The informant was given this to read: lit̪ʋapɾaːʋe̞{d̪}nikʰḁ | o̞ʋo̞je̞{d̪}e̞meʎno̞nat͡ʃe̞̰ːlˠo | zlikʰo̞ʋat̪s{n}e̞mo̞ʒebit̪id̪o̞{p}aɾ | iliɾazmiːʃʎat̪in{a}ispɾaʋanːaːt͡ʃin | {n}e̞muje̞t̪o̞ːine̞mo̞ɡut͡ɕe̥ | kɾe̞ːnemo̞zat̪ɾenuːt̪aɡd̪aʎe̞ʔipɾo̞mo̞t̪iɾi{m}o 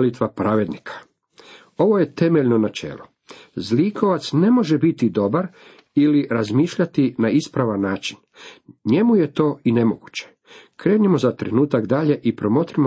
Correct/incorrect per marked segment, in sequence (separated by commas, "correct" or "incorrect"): correct, incorrect, correct, incorrect, correct, incorrect, correct